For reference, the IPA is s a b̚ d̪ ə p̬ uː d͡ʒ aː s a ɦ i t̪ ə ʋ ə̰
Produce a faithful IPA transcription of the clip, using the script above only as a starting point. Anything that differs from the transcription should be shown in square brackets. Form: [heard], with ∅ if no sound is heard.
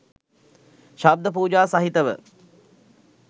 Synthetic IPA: [ʃ] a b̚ d̪ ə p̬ uː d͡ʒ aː s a ɦ i t̪ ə ʋ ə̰